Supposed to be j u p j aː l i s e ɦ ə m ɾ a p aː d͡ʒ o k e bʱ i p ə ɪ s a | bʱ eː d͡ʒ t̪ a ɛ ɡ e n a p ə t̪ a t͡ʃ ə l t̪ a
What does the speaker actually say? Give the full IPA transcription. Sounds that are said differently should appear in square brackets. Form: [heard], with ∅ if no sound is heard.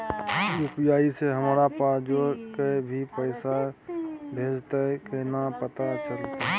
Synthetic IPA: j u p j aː [∅] i s e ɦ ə m ɾ a p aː d͡ʒ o k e bʱ i p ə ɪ s a | bʱ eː d͡ʒ t̪ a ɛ [k] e n a p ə t̪ a t͡ʃ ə l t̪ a